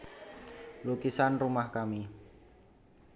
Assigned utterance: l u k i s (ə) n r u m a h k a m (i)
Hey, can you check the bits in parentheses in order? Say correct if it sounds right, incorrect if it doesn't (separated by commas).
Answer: incorrect, correct